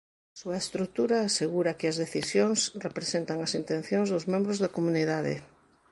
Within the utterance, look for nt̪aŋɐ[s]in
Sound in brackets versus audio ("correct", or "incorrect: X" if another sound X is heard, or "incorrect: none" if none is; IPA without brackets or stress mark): correct